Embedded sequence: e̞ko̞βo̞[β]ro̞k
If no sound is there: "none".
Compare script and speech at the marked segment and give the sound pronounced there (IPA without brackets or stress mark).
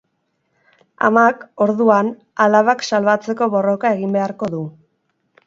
none